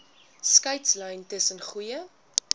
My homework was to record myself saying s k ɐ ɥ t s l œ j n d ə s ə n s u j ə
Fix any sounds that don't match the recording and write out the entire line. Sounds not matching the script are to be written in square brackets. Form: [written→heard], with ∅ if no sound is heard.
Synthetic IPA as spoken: s k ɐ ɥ t s l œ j n [d→t] ə s ə n [s→χ] u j ə

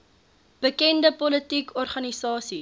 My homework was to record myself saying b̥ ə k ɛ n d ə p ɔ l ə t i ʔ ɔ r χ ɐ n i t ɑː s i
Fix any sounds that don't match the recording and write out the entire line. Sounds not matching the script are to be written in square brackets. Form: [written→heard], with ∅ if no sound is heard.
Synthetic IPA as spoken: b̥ ə k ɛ n d ə p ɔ l ə t i [ʔ→k] ɔ r χ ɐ n i [t→s] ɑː s i

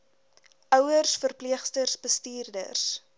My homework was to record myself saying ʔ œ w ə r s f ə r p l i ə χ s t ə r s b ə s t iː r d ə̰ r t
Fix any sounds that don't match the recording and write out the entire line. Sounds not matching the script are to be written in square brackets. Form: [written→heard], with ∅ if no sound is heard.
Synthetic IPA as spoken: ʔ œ w ə r s f ə r p l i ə χ s t ə r s b ə s t iː r d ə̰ r [t→s]

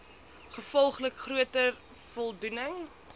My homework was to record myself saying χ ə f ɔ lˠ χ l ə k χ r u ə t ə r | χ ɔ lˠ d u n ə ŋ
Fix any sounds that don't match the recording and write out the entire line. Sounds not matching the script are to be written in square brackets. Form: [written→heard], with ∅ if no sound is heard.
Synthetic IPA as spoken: χ ə f ɔ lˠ χ l ə k χ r u ə t ə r | [χ→f] ɔ lˠ d u n ə ŋ

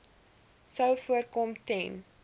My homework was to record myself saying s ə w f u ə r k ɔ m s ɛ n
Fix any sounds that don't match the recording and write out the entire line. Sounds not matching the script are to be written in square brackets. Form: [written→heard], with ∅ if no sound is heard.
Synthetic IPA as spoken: s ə w f u ə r k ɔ m [s→t] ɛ n

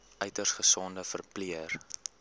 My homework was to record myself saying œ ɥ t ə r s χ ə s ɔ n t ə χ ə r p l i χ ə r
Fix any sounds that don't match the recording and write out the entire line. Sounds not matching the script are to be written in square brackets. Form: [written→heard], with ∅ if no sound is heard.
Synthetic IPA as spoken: œ ɥ t ə r s χ ə s ɔ n [t→d] ə [χ→f] ə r p l i [χ→∅] ə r

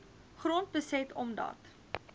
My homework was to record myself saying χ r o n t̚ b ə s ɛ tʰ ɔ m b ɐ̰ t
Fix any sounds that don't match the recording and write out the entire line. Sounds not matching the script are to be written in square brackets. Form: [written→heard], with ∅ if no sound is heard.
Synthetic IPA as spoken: χ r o n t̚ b ə s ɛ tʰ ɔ m [b→d] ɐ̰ t

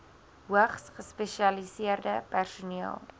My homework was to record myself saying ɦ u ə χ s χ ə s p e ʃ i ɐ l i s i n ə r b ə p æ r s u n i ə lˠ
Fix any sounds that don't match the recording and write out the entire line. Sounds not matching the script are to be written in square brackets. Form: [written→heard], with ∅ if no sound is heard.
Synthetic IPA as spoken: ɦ u ə χ s χ ə s p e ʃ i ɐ l i s i [n→∅] ə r [b→d] ə p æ r s u n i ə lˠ

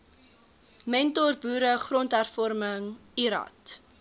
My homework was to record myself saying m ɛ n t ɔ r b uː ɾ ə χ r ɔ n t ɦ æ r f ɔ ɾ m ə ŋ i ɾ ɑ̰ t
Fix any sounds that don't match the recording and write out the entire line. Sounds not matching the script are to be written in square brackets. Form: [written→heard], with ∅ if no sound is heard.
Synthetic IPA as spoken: m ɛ n t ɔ r b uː ɾ ə χ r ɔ n t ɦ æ r f ɔ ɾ m ə ŋ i ɾ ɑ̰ t

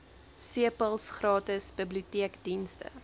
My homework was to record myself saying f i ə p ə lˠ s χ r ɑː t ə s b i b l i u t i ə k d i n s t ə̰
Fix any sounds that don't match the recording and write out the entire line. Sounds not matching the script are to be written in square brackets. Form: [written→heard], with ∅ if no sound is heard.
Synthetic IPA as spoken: [f→s] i ə p ə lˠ s χ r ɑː t ə s b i b l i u t i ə k d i n s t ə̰

